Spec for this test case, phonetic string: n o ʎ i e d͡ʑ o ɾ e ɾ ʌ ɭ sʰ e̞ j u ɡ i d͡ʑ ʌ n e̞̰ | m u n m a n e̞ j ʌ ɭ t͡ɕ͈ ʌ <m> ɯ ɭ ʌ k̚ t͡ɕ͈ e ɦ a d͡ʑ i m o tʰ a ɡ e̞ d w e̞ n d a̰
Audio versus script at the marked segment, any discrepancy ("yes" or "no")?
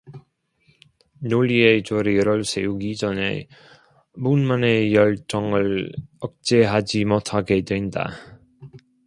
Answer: yes